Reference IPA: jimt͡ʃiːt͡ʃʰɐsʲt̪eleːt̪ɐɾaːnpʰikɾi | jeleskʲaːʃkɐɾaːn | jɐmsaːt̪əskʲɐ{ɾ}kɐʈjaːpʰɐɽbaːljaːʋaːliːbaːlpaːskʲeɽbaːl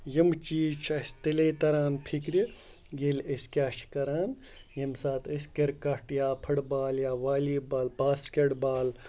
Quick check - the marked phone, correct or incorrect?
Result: correct